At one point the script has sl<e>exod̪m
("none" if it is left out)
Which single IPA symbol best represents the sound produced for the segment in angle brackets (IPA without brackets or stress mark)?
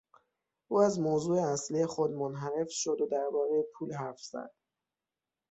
i